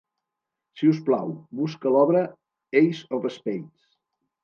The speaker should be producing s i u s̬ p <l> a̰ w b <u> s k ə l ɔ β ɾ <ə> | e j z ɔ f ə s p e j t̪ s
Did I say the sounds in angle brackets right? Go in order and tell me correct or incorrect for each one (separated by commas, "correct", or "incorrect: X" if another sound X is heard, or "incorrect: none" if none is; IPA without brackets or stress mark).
correct, correct, correct